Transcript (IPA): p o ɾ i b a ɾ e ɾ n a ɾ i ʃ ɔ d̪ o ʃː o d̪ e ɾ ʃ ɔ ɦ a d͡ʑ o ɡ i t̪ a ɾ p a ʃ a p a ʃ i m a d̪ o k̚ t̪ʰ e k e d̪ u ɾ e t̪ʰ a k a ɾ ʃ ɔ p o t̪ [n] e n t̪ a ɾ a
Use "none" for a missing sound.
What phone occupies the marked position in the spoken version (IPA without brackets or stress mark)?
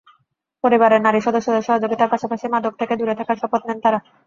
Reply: n